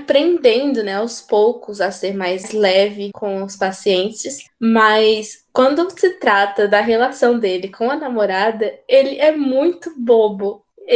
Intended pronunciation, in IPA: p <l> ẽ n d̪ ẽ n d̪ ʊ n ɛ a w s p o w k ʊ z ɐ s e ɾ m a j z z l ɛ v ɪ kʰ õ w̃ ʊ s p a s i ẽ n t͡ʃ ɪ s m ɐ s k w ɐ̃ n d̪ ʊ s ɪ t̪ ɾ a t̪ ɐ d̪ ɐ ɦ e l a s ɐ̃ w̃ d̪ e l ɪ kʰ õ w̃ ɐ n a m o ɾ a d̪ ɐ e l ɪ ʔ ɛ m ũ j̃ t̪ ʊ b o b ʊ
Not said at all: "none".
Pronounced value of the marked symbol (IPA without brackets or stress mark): ɾ